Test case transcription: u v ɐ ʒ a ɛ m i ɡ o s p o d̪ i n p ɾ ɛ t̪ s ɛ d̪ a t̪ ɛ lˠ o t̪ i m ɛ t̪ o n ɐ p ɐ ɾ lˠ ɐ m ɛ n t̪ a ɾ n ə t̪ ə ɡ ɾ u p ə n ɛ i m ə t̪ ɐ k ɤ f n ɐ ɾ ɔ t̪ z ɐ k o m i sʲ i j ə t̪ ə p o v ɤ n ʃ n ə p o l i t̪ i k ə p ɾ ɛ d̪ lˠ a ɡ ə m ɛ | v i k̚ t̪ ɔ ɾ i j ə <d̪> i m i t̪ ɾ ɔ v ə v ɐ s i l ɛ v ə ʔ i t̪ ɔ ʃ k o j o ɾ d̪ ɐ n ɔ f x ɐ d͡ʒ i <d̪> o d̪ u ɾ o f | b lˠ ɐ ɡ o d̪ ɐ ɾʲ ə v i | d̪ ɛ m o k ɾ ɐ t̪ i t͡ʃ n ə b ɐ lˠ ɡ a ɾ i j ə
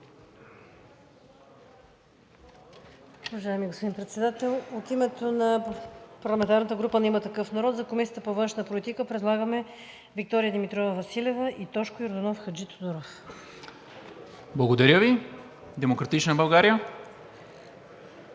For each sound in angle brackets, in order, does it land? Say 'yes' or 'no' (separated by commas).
yes, no